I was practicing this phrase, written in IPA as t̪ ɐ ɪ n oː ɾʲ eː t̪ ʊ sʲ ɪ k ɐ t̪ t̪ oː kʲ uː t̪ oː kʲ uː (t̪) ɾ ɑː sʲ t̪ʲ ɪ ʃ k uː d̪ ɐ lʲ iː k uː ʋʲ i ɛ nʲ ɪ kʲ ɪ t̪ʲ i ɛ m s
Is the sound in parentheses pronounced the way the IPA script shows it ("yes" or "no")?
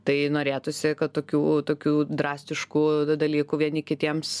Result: no